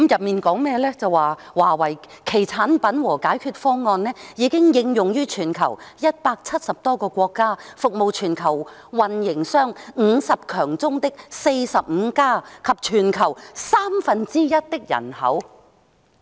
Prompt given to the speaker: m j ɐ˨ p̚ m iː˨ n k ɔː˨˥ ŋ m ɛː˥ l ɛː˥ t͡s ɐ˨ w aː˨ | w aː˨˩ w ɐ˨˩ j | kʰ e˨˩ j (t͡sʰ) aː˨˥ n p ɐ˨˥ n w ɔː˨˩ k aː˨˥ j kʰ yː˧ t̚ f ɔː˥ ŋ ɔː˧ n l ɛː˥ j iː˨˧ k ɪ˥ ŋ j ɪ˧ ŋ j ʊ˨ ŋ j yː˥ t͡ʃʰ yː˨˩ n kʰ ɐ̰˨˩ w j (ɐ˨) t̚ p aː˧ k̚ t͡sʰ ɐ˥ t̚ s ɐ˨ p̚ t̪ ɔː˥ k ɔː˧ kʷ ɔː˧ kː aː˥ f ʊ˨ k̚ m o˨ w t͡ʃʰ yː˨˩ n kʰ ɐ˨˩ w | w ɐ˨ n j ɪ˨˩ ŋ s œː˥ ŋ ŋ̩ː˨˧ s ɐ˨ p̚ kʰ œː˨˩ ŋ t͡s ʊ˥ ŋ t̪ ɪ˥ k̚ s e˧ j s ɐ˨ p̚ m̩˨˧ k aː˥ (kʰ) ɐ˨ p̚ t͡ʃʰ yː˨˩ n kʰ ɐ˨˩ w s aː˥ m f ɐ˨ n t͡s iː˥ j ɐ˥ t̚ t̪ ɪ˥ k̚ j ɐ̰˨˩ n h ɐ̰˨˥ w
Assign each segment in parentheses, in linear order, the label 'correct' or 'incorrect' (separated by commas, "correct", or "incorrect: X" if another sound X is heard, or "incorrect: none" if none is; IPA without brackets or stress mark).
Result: correct, incorrect: ɐ˥, correct